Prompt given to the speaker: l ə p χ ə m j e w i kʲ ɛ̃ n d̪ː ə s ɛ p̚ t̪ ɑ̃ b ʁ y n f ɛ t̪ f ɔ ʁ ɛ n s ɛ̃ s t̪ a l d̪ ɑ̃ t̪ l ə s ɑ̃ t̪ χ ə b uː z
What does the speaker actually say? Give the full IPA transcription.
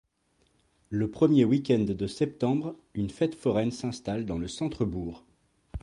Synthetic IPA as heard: l ə p χ ə m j e w i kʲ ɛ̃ n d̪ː ə s ɛ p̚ t̪ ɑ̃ b ʁ y n f ɛ t̪ f ɔ ʁ ɛ n s ɛ̃ s t̪ a l d̪ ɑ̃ l ə s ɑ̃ t̪ χ ə b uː ʁ